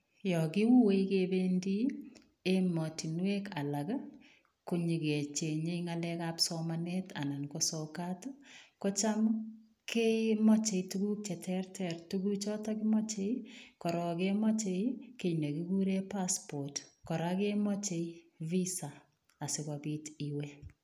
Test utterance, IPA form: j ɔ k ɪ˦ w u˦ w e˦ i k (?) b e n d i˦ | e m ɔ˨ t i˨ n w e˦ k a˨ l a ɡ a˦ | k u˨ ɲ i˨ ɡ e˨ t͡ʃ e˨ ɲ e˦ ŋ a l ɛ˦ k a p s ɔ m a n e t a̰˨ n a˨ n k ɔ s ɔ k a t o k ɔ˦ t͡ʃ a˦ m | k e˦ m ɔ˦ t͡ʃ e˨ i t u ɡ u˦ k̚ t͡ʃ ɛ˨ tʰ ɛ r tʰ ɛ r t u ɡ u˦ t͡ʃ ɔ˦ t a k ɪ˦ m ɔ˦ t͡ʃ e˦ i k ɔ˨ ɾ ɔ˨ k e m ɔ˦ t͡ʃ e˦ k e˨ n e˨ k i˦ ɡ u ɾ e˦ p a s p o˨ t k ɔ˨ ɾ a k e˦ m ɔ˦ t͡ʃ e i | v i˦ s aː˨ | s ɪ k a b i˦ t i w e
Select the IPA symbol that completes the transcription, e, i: e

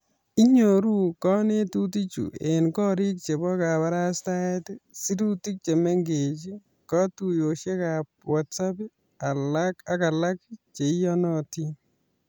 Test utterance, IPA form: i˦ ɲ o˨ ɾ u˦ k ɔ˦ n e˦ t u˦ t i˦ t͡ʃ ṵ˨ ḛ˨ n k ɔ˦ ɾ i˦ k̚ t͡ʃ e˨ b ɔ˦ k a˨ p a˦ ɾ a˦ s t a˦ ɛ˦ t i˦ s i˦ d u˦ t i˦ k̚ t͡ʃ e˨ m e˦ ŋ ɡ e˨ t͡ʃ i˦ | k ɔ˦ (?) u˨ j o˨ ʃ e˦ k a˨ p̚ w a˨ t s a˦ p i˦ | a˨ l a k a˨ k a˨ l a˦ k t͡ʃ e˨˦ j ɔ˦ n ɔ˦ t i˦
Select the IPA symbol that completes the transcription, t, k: t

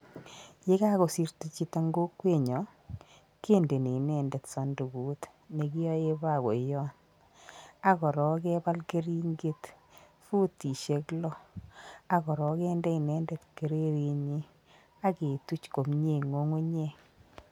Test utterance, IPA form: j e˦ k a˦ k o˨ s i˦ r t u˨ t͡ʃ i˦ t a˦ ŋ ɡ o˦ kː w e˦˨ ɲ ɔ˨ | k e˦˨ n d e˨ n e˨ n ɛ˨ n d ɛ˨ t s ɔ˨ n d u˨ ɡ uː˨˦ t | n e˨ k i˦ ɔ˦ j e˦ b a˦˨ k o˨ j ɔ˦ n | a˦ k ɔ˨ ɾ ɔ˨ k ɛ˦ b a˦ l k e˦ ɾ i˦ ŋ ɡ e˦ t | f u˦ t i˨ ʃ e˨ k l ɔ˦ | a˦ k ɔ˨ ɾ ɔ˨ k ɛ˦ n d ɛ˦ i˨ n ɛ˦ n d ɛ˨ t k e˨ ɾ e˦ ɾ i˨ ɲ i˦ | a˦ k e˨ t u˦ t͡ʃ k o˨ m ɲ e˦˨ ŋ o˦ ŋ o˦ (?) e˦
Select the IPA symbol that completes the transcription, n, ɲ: ɲ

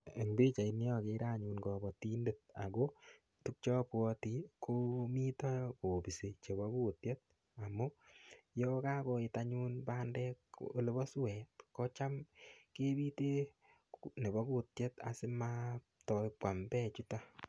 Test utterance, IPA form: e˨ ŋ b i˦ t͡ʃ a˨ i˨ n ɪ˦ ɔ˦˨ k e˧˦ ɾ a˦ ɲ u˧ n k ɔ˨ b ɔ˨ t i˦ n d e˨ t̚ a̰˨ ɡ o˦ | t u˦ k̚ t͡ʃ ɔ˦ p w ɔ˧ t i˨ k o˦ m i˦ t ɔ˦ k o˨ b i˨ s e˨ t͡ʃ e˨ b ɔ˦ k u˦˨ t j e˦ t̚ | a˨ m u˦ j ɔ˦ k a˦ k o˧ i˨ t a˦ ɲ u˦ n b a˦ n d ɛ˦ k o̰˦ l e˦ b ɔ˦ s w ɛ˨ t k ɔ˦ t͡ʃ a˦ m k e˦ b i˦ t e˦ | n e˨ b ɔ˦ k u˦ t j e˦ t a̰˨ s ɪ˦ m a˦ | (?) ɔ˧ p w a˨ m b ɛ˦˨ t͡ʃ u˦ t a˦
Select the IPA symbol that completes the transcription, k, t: t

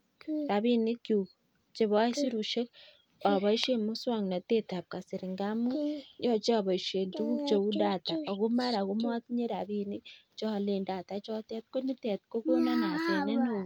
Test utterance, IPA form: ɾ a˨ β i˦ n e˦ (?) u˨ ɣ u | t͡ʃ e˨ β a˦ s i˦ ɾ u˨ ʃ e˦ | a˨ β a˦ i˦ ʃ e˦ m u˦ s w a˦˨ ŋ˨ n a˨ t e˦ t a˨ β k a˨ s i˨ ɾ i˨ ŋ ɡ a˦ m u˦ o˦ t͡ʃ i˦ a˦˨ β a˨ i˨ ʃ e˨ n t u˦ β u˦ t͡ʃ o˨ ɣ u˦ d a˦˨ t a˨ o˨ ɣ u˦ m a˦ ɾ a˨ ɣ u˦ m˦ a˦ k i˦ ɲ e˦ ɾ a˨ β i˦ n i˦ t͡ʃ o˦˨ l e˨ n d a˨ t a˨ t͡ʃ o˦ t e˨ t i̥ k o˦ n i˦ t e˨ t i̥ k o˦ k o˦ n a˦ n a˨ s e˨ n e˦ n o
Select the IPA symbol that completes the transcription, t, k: k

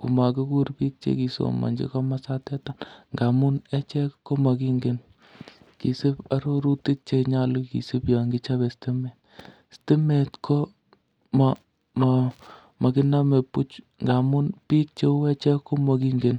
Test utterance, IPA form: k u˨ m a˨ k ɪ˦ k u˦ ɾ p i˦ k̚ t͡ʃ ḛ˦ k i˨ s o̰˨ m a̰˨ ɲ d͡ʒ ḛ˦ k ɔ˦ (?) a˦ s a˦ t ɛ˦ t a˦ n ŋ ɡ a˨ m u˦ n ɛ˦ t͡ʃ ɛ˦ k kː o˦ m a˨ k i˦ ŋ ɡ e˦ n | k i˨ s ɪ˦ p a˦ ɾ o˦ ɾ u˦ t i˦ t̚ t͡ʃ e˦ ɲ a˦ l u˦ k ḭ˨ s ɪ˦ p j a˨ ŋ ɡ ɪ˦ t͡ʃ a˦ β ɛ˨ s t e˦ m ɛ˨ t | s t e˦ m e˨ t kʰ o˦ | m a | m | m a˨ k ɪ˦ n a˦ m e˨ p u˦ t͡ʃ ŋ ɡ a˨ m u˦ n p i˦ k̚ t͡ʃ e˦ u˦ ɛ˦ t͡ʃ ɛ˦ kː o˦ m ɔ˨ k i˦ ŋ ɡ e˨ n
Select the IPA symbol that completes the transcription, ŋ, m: m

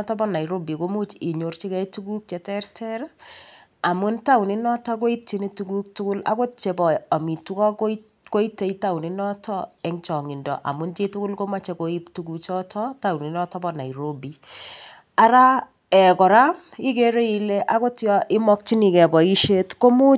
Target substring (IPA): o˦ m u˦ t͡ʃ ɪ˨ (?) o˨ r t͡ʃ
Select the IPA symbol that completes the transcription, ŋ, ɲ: ɲ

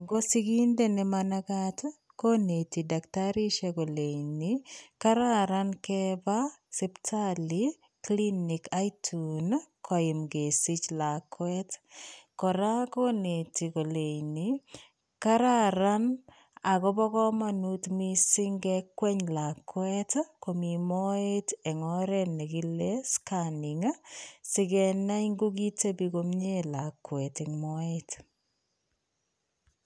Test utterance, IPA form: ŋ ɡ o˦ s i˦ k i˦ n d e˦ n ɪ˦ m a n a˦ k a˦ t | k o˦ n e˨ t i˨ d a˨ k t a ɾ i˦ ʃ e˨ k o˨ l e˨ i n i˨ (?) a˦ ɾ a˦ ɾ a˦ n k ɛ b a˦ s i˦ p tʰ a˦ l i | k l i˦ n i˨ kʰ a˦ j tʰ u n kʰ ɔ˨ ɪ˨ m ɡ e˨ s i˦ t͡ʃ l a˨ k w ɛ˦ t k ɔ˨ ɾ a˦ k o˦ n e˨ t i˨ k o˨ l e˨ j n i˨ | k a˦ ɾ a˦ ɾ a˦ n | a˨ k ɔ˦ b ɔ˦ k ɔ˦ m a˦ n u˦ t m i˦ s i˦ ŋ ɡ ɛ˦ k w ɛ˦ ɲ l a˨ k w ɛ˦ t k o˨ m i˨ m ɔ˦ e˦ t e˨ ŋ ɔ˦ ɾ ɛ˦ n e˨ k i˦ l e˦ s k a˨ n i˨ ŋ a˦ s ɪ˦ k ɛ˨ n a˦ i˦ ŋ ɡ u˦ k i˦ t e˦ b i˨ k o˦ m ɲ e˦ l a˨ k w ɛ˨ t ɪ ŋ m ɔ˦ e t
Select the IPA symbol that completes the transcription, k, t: k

